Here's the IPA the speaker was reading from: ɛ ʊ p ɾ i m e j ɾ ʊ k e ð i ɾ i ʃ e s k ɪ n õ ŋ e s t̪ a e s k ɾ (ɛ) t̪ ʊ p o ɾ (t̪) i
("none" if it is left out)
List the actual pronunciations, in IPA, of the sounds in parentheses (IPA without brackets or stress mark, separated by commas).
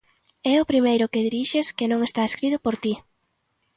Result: i, t̪